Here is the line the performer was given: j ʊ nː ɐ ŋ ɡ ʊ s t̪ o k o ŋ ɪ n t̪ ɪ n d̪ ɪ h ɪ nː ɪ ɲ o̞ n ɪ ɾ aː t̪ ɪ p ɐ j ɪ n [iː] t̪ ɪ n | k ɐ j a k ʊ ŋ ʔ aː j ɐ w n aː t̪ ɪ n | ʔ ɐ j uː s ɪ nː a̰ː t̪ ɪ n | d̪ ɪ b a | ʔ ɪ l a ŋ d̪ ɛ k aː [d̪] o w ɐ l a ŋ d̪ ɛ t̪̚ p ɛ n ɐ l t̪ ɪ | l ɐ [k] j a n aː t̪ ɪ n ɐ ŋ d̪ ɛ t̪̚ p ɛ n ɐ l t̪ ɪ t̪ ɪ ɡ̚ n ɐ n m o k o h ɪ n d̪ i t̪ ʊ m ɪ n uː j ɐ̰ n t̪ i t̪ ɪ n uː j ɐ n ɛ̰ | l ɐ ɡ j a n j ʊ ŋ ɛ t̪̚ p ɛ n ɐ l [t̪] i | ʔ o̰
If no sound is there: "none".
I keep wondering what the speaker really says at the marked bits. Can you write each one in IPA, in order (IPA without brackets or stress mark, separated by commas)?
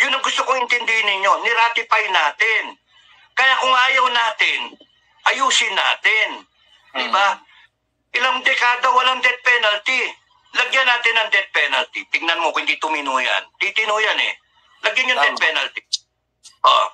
aː, d̪, ɡ, t̪